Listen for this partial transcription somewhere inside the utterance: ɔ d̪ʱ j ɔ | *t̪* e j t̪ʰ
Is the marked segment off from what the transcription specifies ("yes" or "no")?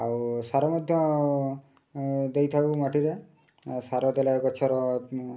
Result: yes